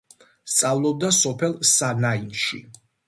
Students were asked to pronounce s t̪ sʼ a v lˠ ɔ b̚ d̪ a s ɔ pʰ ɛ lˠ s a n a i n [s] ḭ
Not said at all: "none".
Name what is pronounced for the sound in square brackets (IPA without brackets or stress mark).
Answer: ʃ